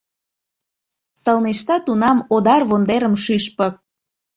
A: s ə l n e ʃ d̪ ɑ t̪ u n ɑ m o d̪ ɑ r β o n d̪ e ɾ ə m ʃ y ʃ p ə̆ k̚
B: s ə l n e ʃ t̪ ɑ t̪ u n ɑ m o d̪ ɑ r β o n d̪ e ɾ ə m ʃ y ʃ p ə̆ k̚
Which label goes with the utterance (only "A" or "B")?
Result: B